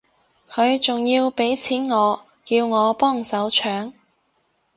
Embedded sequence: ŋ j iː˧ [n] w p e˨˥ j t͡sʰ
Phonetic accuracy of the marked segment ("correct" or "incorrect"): incorrect